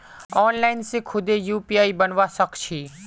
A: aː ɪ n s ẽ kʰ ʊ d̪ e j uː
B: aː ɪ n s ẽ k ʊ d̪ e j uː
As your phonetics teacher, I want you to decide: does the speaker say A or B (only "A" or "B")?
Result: A